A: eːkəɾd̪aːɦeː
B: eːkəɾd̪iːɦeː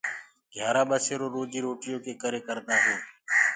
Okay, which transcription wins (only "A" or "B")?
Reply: A